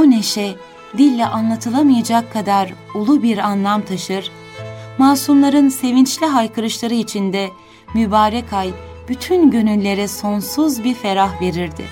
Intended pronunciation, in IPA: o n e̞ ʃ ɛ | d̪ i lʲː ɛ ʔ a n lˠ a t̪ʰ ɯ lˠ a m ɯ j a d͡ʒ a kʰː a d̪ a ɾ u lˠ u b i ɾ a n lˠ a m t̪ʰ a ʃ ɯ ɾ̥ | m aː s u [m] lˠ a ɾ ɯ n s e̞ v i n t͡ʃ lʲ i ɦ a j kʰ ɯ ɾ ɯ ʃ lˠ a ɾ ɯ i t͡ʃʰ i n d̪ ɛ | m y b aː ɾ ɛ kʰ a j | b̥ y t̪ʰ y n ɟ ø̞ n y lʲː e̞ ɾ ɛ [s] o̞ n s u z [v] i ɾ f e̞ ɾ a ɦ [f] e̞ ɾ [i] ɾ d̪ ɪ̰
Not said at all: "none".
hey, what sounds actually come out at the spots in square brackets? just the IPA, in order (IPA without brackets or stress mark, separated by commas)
m, s, b, v, i